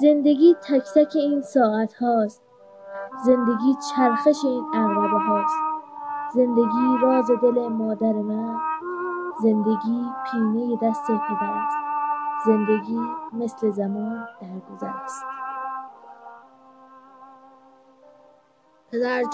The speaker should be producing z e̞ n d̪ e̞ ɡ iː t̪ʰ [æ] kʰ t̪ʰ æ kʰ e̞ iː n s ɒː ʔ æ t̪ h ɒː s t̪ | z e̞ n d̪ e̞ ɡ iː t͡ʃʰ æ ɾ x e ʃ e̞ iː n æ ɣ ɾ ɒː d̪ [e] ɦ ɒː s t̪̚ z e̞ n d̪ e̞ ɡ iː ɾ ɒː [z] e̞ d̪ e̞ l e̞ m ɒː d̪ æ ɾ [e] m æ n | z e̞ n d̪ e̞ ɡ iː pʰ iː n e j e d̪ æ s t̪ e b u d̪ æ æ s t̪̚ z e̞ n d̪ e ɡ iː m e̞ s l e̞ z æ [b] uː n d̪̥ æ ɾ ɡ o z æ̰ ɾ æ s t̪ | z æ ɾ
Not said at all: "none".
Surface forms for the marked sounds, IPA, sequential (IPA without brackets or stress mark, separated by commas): æ, e, z, e, m